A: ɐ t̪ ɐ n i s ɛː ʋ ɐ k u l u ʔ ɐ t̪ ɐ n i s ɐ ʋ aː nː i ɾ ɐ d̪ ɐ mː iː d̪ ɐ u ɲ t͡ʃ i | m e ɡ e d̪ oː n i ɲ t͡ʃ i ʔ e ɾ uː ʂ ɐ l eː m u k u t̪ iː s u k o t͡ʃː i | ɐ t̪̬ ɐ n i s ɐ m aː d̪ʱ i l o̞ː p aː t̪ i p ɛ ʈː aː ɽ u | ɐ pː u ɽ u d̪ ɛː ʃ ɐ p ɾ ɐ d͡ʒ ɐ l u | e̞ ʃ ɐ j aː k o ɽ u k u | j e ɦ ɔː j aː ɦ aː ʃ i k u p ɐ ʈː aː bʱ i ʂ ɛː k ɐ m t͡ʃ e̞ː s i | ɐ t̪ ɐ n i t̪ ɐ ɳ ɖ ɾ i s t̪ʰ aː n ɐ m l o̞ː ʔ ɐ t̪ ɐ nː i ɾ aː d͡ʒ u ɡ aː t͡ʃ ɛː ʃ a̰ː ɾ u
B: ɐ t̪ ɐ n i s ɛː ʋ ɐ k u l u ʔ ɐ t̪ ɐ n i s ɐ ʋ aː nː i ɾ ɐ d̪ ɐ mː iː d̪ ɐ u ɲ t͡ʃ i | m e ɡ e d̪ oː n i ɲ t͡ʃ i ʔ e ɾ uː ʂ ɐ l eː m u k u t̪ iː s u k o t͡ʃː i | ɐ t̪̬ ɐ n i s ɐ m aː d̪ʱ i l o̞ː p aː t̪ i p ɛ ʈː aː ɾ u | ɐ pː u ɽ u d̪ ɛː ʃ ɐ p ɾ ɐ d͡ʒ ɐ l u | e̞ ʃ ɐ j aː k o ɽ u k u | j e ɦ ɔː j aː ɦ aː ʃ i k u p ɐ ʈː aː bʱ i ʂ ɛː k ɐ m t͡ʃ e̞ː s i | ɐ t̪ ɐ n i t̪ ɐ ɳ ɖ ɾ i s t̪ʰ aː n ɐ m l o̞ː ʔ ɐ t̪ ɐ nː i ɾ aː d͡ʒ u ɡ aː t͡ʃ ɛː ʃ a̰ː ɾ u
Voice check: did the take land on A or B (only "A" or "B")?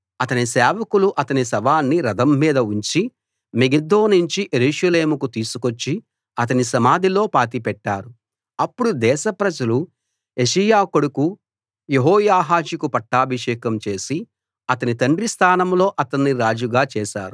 B